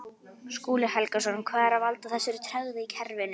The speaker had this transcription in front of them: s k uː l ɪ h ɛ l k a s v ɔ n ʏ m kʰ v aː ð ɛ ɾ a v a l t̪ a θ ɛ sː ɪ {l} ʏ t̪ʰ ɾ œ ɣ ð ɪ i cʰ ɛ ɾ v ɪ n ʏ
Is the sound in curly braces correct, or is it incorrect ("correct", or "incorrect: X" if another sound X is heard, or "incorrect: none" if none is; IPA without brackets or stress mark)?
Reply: incorrect: ɾ